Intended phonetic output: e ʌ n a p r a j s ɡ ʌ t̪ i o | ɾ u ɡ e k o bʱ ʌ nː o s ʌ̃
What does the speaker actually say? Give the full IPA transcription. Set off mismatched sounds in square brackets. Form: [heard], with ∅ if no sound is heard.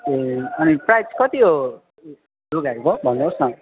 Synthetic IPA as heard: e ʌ n [i] p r a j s [k] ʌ t̪ i o | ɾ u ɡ [a] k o bʱ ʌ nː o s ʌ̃